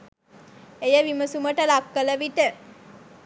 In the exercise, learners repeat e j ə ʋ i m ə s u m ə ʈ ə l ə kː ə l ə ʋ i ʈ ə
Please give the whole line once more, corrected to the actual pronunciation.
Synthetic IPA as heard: e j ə ʋ i m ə s u m ə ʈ ə l a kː ə l ə ʋ i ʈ ə